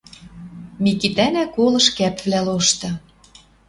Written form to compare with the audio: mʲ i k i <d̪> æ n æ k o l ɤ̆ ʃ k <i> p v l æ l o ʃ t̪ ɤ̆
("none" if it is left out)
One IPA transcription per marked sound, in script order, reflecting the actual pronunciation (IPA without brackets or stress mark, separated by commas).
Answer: t̪, æ